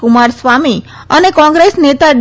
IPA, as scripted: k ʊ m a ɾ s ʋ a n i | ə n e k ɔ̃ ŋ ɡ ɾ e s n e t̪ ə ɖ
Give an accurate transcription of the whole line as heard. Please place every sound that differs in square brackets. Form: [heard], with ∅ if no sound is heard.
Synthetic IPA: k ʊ m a ɾ s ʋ a [m] i | ə n e k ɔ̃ ŋ ɡ ɾ e s n e t̪ [a] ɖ